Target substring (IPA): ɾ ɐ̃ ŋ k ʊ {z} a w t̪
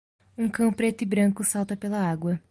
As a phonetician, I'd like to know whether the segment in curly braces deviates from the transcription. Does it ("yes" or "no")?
yes